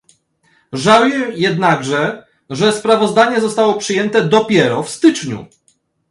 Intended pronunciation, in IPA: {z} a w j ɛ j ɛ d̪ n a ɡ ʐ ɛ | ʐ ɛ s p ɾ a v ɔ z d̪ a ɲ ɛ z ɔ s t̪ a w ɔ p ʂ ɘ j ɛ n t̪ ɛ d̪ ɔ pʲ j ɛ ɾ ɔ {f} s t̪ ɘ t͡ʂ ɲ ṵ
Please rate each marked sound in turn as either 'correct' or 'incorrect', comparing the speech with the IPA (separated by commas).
incorrect, correct